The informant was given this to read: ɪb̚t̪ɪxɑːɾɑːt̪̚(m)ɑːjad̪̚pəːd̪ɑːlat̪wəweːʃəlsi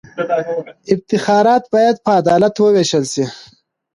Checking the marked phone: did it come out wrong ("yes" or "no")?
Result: yes